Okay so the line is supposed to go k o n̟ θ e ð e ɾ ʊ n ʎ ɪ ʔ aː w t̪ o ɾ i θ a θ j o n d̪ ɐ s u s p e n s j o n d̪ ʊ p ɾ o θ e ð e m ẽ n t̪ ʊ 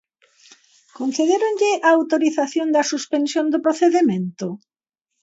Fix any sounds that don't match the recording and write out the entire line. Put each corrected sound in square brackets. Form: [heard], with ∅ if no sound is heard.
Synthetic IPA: k o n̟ θ e ð e ɾ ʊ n ʎ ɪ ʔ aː w t̪ o ɾ i θ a θ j o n d̪ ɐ s u s p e n s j o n d̪ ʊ p ɾ o θ e ð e m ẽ n t̪ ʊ